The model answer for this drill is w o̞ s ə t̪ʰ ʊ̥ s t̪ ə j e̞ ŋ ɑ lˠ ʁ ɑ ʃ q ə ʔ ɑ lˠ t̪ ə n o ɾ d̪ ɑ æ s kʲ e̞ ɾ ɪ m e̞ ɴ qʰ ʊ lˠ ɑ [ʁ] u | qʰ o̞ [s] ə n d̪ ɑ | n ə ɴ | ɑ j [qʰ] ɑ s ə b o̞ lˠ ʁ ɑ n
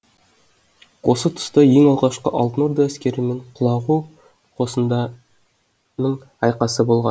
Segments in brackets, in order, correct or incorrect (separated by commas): correct, correct, incorrect